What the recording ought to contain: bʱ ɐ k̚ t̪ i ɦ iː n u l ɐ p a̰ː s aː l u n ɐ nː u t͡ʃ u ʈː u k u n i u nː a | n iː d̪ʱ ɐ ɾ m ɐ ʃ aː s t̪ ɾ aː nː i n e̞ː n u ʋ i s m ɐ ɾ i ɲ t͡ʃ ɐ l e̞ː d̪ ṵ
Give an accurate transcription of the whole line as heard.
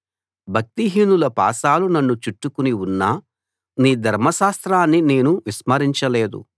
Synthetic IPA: bʱ ɐ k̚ t̪ i ɦ iː n u l ɐ p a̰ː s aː l u n ɐ nː u t͡ʃ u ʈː u k u n i u nː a | n iː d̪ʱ ɐ ɾ m ɐ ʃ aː s t̪ ɾ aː nː i n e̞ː n u ʋ i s m ɐ ɾ i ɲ t͡ʃ ɐ l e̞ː d̪ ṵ